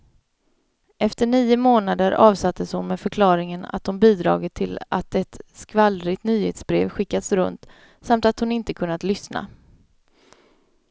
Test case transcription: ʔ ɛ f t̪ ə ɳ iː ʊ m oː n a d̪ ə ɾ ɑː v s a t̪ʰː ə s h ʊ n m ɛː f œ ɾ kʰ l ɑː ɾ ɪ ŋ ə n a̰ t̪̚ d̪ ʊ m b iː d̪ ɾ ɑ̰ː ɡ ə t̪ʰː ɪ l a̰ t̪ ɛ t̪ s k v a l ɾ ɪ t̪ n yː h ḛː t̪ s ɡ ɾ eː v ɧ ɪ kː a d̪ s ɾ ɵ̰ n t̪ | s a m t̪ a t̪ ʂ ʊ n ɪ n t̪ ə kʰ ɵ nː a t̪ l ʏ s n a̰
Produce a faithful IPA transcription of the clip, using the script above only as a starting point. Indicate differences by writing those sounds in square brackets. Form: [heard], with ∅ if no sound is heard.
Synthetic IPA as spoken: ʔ ɛ f t̪ ə ɳ iː ʊ m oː n a d̪ ə ɾ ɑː v s a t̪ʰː ə s h ʊ n m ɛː f œ ɾ kʰ l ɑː ɾ ɪ ŋ ə n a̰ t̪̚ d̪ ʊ m b iː d̪ ɾ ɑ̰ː ɡ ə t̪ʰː ɪ l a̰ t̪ ɛ t̪ s k v a l ɾ ɪ t̪ n yː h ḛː t̪ s [b] ɾ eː v ɧ ɪ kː a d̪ s ɾ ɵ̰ n t̪ | s a m t̪ a t̪ [h] ʊ n ɪ n t̪ ə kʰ ɵ nː a t̪ l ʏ s n a̰

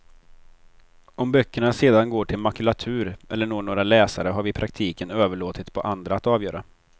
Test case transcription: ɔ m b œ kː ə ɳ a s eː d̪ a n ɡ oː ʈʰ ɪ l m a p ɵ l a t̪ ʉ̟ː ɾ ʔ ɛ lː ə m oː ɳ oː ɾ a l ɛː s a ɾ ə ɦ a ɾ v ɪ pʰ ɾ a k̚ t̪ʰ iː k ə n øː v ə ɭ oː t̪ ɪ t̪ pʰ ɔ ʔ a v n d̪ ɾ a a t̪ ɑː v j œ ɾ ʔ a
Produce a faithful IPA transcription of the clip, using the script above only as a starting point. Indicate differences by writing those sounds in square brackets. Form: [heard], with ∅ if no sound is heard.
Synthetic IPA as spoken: ɔ m b œ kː ə ɳ a s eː d̪ a n ɡ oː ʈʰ ɪ l m a [k] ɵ l a [t̪ʰ] ʉ̟ː ɾ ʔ ɛ lː ə [ɳ] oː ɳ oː ɾ a l ɛː s a ɾ ə ɦ a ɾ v ɪ pʰ ɾ a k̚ t̪ʰ iː k ə n øː v ə ɭ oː t̪ ɪ t̪ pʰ ɔ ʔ a [∅] n d̪ ɾ a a t̪ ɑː v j [œː] ɾ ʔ a

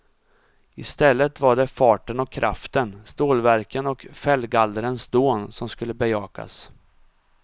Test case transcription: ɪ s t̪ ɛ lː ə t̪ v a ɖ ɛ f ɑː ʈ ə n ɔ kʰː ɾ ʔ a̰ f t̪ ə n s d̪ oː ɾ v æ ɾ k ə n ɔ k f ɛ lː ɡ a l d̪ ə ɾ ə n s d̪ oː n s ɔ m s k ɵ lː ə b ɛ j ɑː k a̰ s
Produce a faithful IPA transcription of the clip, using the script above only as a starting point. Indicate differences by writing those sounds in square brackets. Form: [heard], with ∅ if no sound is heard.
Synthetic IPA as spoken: ɪ s t̪ ɛ lː ə t̪ v a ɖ ɛ f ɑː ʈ ə n ɔ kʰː ɾ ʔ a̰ f t̪ ə n s [t̪] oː [l] v æ ɾ k ə n ɔ k f ɛ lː ɡ a l d̪ ə ɾ ə n s d̪ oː n s ɔ m s k ɵ lː ə b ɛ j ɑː k a̰ s

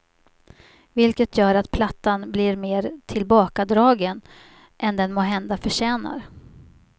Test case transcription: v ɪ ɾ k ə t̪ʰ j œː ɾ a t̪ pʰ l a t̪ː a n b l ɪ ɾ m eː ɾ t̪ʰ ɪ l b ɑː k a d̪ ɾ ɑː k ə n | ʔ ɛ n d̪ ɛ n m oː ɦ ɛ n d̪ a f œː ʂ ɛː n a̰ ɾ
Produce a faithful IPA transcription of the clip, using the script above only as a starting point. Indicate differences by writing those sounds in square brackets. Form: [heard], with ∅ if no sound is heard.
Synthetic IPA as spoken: v ɪ [l] k ə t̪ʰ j œː ɾ a t̪ pʰ l a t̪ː a n b l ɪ ɾ m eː ɾ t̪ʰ ɪ l b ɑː k a d̪ ɾ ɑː [ɡ] ə n | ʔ ɛ n d̪ ɛ n m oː ɦ ɛ n d̪ a f [œ] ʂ ɛː n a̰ ɾ

